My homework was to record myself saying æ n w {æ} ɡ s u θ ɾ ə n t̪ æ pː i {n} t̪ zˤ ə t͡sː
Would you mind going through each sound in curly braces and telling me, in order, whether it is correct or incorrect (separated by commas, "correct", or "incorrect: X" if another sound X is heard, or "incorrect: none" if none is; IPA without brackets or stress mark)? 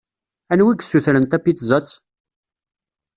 incorrect: i, incorrect: none